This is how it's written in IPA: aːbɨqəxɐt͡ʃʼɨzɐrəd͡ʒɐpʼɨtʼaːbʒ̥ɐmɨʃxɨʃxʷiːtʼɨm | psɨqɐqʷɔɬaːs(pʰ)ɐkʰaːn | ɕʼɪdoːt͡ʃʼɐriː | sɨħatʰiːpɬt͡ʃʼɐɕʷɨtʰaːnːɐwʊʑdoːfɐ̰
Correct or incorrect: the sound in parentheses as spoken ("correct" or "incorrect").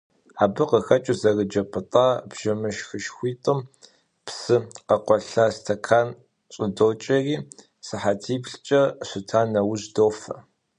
incorrect